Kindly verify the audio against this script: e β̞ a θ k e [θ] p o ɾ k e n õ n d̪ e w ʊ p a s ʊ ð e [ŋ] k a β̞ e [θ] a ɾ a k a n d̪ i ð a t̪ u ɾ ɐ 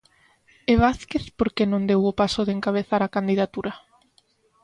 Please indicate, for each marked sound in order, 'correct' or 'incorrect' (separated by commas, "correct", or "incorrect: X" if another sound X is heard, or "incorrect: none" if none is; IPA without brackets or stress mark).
correct, correct, correct